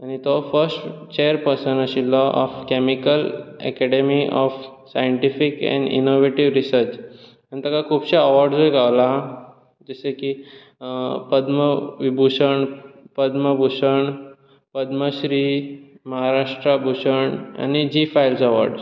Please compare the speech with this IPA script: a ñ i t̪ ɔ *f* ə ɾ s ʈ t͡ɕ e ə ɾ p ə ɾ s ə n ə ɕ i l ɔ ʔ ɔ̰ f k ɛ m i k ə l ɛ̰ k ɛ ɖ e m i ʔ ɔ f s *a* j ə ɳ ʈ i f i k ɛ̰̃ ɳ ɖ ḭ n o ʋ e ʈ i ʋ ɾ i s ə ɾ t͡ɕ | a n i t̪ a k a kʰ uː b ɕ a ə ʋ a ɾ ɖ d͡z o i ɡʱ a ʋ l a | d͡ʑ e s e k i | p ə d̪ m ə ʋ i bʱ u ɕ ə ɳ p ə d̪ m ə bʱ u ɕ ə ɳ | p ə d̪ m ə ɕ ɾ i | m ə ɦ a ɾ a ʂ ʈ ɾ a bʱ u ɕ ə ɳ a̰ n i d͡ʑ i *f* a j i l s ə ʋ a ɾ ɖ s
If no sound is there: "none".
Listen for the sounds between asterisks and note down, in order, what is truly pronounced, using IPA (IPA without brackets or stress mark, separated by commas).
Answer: f, a, f